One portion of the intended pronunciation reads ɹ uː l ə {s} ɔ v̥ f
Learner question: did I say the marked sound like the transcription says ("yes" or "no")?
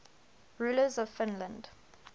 no